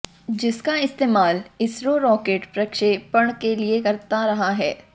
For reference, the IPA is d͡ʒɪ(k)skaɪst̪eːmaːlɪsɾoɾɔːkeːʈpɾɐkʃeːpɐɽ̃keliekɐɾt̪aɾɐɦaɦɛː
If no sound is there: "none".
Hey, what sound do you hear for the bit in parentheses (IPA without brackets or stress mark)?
none